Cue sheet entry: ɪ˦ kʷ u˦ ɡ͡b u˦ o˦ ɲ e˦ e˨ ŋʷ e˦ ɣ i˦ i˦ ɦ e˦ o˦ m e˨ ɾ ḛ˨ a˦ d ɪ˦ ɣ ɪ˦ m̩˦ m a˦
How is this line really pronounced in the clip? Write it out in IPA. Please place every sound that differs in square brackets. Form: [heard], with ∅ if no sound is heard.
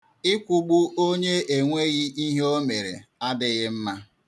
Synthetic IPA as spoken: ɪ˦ kʷ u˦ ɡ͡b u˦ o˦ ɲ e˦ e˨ ŋʷ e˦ ɣ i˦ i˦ ɦ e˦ o˦ m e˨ ɾ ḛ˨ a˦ d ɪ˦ ɣ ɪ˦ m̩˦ m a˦